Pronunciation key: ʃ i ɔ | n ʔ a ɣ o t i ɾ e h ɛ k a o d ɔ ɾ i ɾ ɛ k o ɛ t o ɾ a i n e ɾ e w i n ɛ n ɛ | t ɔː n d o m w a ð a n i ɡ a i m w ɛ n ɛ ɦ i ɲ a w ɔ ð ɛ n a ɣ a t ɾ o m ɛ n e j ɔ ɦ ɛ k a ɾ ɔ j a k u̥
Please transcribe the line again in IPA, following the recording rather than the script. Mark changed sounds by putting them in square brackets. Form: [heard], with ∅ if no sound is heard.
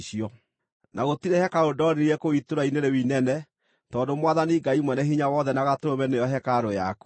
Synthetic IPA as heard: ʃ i ɔ | n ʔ a ɣ o t i ɾ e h ɛ k a o d ɔ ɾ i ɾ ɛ k o [i] t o ɾ a i n e ɾ e w i n ɛ n ɛ | t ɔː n d o m w a ð a n i ɡ a i m w ɛ n ɛ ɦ i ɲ a w ɔ ð ɛ n a ɣ a t ɾ o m ɛ n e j ɔ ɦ ɛ k a ɾ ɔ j a k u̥